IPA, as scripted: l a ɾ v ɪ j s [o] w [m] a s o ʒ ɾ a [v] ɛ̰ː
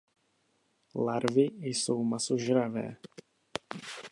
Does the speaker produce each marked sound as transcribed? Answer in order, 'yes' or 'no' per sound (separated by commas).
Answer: yes, yes, yes